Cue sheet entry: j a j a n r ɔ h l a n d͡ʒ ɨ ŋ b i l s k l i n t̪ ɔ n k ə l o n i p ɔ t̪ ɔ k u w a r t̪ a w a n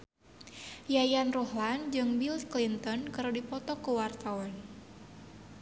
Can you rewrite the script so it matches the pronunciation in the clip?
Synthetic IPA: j a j a n r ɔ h l a n d͡ʒ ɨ ŋ b i l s k l i n t̪ ɔ n k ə ɾ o d i p ɔ t̪ ɔ k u w a r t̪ a w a n